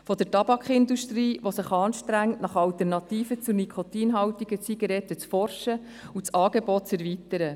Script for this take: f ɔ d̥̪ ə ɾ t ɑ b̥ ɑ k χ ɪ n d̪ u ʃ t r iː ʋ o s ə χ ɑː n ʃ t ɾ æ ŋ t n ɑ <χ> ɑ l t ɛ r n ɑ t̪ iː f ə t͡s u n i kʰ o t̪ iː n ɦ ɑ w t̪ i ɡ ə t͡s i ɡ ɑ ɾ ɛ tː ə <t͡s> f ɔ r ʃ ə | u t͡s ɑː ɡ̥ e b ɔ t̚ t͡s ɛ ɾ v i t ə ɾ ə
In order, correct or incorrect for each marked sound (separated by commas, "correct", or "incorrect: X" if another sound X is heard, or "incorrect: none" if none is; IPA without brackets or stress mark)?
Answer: correct, correct